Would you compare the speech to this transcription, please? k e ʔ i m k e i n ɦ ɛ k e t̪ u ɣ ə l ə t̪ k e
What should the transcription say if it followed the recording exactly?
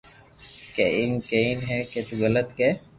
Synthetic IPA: k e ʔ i ŋ k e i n ɦ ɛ k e t̪ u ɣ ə l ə t̪ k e